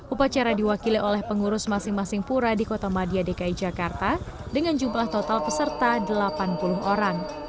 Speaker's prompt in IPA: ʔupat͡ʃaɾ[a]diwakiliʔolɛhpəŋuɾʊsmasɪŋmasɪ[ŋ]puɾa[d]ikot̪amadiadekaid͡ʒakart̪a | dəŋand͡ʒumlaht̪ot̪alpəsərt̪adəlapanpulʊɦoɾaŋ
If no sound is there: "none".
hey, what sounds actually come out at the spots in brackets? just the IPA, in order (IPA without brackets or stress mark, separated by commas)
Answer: a, ŋ, d